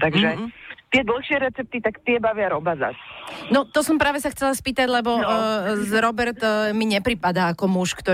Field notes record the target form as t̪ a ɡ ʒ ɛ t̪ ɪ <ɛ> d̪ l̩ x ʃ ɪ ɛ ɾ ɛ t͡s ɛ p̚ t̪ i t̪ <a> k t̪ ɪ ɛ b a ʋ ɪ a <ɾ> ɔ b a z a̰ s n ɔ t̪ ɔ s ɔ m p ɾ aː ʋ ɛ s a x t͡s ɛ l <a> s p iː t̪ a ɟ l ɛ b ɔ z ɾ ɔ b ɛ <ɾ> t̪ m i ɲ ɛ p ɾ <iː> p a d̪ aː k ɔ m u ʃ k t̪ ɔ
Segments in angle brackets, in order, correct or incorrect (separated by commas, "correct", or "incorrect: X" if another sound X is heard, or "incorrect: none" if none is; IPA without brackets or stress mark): correct, correct, correct, correct, correct, incorrect: i